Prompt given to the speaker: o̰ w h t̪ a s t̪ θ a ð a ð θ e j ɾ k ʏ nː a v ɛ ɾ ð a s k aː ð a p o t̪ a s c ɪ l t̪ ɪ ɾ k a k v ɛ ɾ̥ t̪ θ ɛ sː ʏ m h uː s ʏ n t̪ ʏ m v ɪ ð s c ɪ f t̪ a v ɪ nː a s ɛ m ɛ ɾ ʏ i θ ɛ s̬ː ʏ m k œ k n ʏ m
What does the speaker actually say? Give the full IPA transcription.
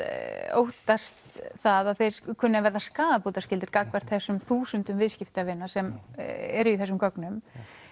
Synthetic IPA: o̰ w h t̪ a s t̪ θ a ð a ð θ e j ɾ kʰ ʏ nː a v ɛ ɾ ð a s k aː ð a p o t̪ a s c ɪ l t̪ ɪ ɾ k a k v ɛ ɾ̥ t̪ θ ɛ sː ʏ m θ uː s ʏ n t̪ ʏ m v ɪ ð s c ɪ f t̪ a v ɪ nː a s ɛ m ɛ ɾ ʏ i θ ɛ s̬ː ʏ m k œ k n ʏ m